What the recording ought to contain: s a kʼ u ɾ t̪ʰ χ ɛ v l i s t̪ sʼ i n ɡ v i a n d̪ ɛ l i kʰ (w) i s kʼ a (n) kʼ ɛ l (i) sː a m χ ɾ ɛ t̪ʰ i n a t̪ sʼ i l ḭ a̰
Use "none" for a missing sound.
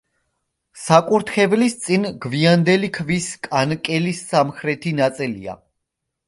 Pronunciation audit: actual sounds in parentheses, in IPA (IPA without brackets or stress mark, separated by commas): v, n, i